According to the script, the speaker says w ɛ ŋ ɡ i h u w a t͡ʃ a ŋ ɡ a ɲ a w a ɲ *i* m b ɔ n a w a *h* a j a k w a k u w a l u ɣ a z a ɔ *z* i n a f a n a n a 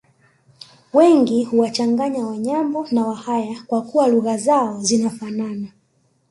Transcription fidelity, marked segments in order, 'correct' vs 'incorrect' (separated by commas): incorrect, correct, correct